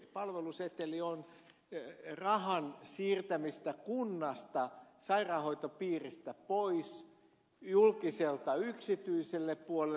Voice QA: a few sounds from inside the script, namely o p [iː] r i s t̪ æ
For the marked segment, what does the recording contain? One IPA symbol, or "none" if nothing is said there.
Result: iː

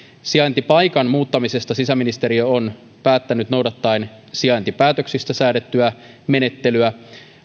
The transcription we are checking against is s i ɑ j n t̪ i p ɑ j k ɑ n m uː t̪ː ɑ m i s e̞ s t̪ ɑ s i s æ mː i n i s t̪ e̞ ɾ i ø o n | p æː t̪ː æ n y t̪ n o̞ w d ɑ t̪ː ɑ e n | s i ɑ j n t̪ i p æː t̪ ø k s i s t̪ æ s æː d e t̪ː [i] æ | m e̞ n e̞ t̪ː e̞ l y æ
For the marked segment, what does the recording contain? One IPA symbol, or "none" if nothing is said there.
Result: y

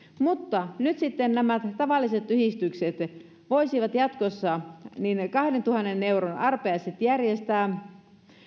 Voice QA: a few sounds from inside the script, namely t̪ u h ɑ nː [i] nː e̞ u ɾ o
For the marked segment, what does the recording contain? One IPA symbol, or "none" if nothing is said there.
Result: e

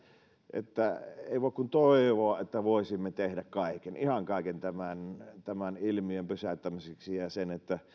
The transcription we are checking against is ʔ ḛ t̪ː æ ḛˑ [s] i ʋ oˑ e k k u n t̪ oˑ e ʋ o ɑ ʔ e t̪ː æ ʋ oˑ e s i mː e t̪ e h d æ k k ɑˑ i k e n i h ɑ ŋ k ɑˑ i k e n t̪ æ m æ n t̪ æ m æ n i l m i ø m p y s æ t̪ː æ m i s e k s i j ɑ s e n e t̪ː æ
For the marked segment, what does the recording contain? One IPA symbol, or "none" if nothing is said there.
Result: none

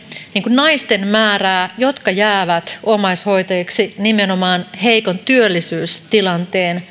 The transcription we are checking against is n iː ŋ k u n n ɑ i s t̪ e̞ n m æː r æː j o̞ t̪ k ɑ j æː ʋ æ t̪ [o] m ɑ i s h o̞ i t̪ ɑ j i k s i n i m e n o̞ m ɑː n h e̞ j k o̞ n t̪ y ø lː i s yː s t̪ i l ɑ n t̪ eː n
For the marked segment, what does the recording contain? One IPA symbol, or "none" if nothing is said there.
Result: o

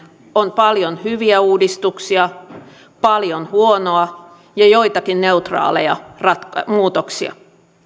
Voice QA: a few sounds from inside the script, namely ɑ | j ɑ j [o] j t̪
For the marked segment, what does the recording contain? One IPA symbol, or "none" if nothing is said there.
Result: o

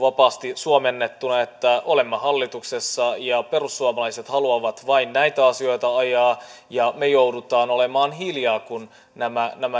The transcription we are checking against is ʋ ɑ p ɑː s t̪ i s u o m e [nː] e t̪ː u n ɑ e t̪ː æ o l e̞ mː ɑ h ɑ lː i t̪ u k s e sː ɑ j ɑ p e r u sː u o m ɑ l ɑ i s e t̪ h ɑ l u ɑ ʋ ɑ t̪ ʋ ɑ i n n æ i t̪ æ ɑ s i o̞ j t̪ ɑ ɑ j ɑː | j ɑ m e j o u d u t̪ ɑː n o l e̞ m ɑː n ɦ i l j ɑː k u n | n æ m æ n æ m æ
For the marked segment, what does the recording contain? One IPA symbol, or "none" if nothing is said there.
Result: nː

